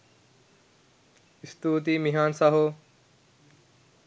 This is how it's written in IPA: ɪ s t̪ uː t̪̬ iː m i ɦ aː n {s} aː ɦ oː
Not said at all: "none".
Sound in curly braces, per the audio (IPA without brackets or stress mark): s